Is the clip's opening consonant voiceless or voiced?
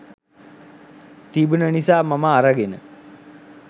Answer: voiceless